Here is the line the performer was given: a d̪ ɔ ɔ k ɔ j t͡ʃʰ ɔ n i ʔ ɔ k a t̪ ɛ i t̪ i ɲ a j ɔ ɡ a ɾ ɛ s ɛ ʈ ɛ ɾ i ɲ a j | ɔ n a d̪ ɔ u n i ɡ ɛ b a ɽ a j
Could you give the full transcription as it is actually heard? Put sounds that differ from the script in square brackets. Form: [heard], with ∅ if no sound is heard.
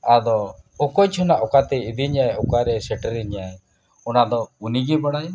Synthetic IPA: a d̪ ɔ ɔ k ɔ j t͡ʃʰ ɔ n [a] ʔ ɔ k a t̪ ɛ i [d̪] i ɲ a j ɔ [k] a ɾ ɛ s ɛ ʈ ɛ ɾ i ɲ a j | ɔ n a d̪ ɔ u n i ɡ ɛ b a ɽ a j